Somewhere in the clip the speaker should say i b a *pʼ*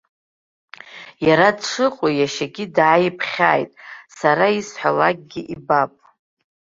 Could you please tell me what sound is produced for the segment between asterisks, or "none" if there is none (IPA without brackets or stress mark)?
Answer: pʼ